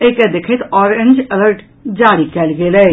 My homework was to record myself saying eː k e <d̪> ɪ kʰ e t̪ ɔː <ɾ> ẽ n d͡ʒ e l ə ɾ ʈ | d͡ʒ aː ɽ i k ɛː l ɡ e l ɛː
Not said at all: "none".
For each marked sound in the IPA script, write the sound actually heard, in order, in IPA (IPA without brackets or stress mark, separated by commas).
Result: d̪, ɾ